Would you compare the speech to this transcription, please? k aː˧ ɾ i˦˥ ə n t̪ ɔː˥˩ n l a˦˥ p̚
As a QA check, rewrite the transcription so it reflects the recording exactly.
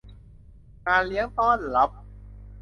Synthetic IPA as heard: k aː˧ l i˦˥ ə ŋ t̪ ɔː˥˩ n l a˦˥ p̚